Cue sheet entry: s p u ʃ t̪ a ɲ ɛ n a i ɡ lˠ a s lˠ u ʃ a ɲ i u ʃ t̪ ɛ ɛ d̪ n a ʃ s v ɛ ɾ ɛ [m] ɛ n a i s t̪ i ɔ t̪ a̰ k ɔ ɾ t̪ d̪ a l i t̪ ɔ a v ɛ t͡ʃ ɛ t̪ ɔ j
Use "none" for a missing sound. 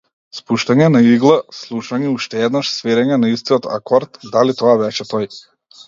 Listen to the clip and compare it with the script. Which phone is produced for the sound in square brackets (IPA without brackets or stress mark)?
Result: ɲ